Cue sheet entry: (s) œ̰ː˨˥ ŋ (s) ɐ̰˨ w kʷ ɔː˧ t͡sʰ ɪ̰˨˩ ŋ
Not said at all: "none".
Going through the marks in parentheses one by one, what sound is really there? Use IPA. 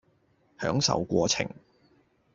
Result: h, s

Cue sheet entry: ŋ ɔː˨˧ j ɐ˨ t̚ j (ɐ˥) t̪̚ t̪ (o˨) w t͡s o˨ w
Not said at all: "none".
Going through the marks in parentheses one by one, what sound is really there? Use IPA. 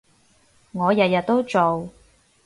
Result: ɐ˨, o˥

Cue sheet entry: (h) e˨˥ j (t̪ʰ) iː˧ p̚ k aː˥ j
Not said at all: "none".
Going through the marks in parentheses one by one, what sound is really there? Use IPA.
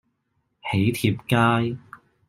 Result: h, t̪ʰ

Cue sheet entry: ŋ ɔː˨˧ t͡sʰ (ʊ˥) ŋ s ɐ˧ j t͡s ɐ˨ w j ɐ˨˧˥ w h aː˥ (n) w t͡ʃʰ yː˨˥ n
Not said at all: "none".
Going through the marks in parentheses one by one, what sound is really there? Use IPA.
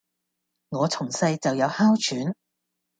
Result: ʊ˨˩, none

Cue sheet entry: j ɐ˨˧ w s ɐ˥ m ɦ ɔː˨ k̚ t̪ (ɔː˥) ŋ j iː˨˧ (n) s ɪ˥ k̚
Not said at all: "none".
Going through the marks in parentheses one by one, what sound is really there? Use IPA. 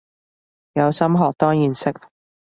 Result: ɔː˥, n

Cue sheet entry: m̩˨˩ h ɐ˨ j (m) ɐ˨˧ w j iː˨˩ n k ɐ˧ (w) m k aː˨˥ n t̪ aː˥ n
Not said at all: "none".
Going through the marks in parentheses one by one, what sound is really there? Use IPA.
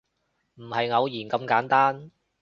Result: ŋ, none

